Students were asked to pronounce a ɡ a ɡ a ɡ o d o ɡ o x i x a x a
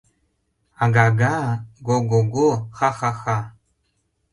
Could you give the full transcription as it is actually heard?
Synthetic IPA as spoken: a ɡ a ɡ a ɡ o ɡ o ɡ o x a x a x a